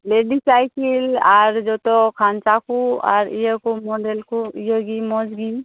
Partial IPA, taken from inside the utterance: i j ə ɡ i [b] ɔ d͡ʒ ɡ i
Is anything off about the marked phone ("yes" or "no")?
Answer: yes